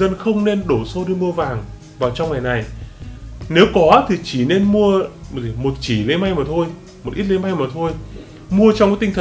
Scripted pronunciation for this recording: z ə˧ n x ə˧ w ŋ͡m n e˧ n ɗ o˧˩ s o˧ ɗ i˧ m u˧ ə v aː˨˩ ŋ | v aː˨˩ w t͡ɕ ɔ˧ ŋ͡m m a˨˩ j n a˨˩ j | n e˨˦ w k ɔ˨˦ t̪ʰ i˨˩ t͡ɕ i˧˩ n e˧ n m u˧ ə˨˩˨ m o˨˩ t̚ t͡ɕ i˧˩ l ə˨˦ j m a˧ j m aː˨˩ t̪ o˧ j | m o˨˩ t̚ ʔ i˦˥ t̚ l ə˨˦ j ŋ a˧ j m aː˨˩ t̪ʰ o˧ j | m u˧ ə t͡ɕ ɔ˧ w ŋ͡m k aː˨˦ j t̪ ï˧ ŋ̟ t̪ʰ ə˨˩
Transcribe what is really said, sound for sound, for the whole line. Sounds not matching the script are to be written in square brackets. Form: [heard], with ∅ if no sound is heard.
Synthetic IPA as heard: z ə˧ n x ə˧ w ŋ͡m n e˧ n ɗ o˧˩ s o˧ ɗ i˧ m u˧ ə v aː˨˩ ŋ | v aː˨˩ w t͡ɕ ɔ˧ ŋ͡m [ŋ] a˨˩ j n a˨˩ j | n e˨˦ w k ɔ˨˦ t̪ʰ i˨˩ t͡ɕ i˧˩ n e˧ n m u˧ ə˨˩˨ m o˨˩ t̚ t͡ɕ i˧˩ l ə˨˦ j m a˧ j m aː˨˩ [t̪ʰ] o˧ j | m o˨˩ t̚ ʔ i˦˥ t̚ l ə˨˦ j [m] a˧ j m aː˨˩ t̪ʰ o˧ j | m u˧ ə t͡ɕ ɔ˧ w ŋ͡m k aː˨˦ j t̪ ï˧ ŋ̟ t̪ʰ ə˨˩